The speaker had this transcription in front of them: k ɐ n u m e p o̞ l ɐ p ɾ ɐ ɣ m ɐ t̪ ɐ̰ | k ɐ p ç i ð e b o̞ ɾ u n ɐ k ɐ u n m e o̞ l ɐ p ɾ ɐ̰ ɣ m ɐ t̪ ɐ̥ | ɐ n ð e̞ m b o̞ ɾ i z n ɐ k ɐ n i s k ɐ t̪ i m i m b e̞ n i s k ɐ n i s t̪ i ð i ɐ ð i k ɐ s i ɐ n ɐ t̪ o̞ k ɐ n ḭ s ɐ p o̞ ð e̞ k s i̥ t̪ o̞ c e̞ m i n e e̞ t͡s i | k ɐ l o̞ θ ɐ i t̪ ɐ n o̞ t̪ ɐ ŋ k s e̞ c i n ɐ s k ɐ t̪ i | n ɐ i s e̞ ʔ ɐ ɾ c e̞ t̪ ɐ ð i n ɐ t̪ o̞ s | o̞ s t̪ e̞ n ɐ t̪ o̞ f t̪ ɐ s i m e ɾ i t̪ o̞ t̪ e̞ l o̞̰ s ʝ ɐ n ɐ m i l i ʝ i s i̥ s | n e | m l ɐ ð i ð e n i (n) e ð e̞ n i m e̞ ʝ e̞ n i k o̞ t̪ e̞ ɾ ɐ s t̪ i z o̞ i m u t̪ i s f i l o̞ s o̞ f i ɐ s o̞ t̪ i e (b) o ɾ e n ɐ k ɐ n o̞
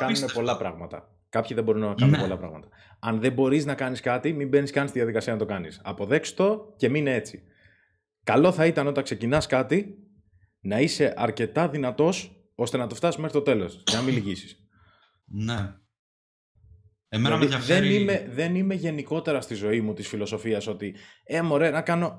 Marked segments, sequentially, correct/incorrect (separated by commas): incorrect, incorrect